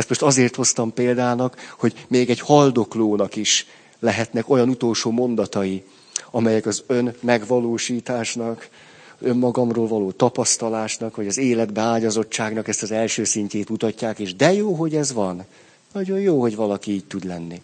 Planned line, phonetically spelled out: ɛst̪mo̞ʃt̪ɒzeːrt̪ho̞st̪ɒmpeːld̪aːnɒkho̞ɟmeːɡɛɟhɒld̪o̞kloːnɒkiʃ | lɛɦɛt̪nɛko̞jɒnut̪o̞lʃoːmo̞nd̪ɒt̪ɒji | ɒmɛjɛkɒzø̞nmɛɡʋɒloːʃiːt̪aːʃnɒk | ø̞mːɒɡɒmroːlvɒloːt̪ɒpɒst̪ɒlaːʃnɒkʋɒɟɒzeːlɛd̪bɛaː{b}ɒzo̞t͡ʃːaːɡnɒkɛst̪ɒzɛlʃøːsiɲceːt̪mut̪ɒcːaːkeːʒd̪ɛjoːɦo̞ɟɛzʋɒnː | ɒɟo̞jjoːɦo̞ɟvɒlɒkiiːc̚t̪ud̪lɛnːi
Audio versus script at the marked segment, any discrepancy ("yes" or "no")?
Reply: yes